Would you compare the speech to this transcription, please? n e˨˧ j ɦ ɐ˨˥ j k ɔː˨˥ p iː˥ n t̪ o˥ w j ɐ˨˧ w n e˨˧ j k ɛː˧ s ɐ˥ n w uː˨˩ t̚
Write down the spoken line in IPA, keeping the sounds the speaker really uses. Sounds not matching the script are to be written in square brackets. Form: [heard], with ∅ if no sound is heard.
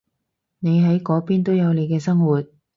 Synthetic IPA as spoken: n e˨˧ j ɦ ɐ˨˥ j k ɔː˨˥ p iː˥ n t̪ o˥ w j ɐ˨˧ w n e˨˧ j k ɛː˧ s ɐ˥ [ŋ] w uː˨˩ t̚